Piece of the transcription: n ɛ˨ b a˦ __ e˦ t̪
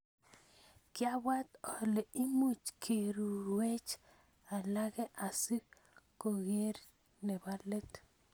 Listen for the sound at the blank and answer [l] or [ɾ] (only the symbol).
l